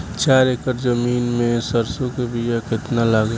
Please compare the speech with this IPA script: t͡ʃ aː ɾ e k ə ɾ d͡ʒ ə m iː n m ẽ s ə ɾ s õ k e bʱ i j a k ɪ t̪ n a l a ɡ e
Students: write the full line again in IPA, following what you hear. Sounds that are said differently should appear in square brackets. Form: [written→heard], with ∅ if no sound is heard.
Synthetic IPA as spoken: t͡ʃ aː ɾ e k ə ɾ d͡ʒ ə m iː n m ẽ s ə ɾ s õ k e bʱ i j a k ɪ t̪ n a l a ɡ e